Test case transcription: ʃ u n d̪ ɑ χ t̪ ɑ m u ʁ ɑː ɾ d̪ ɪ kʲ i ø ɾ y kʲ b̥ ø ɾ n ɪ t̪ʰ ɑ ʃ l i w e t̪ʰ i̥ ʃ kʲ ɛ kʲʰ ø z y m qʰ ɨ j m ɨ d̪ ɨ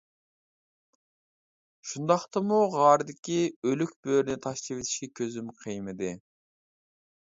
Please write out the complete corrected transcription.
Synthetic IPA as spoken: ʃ u n d̪ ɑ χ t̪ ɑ m u ʁ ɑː ɾ d̪ ɪ kʲ i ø l y kʲ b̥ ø ɾ n ɪ t̪ʰ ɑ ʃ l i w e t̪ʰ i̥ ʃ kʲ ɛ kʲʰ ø z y m qʰ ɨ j m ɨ d̪ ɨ